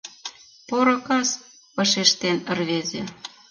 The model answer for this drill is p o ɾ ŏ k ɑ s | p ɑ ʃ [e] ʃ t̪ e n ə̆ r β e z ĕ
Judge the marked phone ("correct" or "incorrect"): correct